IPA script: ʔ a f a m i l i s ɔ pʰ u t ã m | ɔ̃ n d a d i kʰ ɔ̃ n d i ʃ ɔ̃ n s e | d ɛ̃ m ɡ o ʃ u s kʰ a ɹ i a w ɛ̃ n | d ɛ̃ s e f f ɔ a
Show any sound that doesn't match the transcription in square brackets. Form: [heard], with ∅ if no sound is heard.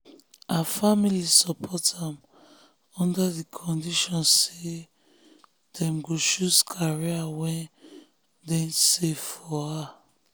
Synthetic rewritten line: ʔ a f a m i l i s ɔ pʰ [ɔ] t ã m | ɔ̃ n d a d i kʰ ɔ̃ n d i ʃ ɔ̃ n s e | d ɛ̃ m ɡ o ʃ u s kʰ a ɹ i a w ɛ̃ n | d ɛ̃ s e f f ɔ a